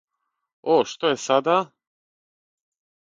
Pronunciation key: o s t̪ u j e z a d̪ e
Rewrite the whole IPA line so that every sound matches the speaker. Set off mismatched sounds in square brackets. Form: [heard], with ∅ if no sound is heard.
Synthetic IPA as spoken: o [ʃ] t̪ [o] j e [s] a d̪ [a]